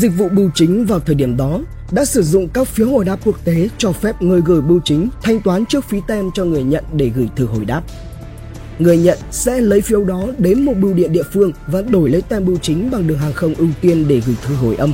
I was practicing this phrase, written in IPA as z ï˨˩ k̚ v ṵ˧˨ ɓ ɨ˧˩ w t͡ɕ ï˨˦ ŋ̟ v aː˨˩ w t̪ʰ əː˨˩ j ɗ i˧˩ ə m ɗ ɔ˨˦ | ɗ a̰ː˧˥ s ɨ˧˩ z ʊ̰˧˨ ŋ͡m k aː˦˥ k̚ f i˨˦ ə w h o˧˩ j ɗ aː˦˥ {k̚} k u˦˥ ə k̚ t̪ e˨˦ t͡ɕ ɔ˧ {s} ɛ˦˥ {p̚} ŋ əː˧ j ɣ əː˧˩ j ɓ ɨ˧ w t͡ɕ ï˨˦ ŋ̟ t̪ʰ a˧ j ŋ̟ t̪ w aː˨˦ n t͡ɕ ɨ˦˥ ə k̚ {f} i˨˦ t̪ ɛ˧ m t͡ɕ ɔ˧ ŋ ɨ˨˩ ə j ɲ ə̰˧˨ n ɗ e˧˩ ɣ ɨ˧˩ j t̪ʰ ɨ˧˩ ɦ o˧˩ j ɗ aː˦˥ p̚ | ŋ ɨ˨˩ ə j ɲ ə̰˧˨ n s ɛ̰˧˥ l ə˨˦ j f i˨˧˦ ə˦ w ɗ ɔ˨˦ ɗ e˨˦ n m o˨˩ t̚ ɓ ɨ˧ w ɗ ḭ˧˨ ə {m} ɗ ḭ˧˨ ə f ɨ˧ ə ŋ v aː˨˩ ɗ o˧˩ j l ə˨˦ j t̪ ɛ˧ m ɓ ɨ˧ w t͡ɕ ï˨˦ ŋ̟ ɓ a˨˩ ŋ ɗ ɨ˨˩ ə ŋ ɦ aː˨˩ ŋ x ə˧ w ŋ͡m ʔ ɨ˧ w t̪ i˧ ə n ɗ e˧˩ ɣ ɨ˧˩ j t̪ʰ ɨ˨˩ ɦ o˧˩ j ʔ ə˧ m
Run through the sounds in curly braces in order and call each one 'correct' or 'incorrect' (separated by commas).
incorrect, incorrect, correct, correct, incorrect